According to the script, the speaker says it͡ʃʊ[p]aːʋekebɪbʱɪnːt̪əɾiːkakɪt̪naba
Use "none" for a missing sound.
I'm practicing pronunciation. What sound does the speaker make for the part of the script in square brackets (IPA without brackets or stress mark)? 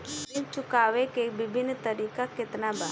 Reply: k